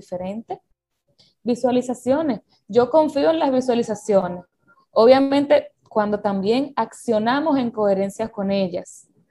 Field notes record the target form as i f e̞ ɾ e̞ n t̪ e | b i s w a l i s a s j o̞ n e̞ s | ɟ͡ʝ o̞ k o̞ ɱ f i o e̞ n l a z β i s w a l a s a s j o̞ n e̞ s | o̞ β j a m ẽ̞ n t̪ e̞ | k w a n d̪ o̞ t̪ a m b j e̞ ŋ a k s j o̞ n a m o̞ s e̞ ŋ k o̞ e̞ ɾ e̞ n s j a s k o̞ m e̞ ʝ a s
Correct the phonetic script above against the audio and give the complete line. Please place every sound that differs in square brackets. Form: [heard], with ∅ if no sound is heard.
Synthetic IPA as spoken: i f e̞ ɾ e̞ n t̪ e | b i s w a l i s a s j o̞ n e̞ s | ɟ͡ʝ o̞ k o̞ ɱ f i o e̞ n l a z β i s w a l [i] s a s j o̞ n e̞ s | o̞ β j a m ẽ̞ n t̪ e̞ | k w a n d̪ o̞ t̪ a m b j e̞ ŋ a k s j o̞ n a m o̞ s e̞ ŋ k o̞ e̞ ɾ e̞ n s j a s k o̞ [n] e̞ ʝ a s